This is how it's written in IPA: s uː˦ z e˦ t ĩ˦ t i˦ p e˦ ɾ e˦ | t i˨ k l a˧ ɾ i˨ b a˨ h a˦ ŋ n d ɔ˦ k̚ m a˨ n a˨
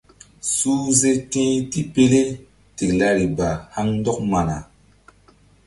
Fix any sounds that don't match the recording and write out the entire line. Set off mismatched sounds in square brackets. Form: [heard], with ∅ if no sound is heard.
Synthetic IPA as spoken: s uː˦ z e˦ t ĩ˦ t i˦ p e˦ [l] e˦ | t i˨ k l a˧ ɾ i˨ b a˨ h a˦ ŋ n d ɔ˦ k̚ m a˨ n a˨

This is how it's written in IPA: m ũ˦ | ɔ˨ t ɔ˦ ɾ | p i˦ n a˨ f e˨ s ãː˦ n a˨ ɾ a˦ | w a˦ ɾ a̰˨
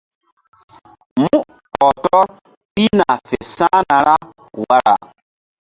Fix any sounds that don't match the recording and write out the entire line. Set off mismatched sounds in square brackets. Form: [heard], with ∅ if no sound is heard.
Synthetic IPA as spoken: m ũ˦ | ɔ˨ t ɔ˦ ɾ | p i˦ n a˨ f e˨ s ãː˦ n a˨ ɾ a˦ | w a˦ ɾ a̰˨

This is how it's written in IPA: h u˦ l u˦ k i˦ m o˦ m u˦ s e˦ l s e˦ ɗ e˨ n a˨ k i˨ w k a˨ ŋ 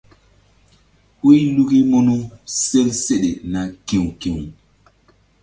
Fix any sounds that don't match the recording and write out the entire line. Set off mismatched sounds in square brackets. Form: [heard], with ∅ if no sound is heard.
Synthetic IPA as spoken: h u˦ l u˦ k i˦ m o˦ [n] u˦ s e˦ l s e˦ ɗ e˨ n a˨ k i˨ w k [i˨] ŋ

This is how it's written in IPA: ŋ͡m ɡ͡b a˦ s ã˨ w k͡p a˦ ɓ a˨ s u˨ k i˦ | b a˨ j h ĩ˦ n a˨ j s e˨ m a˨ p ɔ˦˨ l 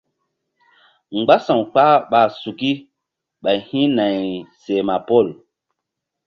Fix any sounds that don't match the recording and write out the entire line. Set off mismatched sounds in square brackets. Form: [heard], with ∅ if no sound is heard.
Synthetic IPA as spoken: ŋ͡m ɡ͡b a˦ s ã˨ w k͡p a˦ ɓ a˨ s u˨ k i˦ | [ɓ] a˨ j h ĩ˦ n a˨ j s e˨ m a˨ p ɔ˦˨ l

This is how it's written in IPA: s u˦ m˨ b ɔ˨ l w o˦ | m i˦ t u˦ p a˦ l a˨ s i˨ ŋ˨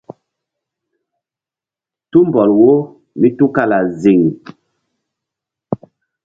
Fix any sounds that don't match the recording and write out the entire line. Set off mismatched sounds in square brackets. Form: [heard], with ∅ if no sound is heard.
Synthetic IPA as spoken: [t] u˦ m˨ b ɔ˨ l w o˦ | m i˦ t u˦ [k] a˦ l a˨ [z] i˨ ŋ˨

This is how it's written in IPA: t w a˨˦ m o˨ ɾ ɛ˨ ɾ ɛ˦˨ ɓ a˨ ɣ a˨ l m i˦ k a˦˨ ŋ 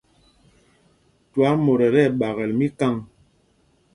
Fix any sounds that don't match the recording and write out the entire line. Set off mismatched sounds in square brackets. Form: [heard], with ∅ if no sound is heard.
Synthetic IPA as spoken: t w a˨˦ m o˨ ɾ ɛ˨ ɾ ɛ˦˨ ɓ a˨ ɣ [ɛ˨] l m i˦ k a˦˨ ŋ

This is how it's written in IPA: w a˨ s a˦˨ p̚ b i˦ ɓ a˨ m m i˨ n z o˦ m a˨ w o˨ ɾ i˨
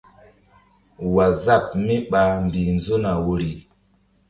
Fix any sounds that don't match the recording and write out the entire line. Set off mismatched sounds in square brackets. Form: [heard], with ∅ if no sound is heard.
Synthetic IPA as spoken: w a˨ [z] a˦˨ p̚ [m] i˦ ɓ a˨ m [b] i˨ n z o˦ [n] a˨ w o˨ ɾ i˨

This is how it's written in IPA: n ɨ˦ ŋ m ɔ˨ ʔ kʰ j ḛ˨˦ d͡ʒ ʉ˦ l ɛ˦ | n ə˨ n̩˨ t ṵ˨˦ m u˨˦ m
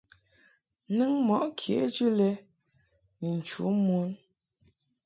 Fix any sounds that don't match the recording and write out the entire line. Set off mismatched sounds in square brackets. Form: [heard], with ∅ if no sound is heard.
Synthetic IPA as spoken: n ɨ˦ ŋ m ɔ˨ ʔ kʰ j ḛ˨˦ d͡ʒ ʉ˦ l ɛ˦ | n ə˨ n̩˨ [t͡ʃ] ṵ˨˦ m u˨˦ [n]

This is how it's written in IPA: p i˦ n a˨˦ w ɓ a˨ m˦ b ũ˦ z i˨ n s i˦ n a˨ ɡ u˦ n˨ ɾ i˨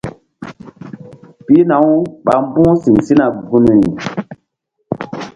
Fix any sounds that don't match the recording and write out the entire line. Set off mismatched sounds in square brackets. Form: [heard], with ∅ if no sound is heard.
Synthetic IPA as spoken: p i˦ n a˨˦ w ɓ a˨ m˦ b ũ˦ [s] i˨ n s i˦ n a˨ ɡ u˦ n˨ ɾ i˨

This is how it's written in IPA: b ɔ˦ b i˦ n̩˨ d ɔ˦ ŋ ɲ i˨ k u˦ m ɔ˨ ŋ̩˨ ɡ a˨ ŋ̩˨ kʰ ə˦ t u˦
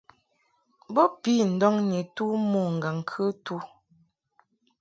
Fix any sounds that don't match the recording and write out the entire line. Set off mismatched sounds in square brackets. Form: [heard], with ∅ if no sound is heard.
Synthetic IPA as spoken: b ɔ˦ [p] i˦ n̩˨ d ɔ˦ ŋ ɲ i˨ [t] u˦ m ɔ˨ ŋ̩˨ ɡ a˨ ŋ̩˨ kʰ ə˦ t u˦

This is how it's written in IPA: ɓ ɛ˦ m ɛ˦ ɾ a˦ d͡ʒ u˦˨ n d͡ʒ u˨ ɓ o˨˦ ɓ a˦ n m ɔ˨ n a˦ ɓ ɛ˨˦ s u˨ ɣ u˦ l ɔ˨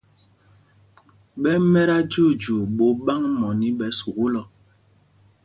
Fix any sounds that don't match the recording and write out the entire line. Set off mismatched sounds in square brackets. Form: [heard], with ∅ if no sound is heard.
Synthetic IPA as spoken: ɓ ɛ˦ m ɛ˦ ɾ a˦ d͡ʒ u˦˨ [∅] d͡ʒ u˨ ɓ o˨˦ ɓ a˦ [ŋ] m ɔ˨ n [i˦] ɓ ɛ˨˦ s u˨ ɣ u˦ l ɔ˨

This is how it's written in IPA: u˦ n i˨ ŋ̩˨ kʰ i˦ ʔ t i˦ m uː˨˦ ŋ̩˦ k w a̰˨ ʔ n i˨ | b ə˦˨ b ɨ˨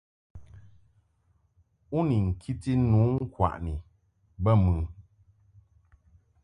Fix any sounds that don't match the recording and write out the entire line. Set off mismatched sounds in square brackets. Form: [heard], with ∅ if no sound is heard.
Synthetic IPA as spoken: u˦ n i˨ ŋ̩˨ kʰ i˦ [∅] t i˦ [n] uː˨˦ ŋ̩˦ k w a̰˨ ʔ n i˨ | b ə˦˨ [m] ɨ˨

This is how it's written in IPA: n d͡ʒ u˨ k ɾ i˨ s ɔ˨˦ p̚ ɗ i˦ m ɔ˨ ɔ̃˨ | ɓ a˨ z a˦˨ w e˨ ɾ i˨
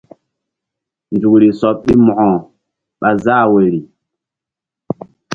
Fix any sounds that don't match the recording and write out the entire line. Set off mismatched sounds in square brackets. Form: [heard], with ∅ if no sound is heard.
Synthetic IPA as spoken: n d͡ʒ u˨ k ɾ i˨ s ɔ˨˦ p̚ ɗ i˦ m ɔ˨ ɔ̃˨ | ɓ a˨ z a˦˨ w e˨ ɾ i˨

